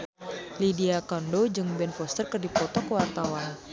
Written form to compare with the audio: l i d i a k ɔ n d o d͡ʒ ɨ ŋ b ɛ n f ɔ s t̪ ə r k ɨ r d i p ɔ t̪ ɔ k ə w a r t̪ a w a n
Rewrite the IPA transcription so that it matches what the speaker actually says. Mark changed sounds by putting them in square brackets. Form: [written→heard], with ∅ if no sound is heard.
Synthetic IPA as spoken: l i d i a k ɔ n d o d͡ʒ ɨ ŋ b ɛ n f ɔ s t̪ ə r k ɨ r d i p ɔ t̪ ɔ k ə w a r t̪ a w a n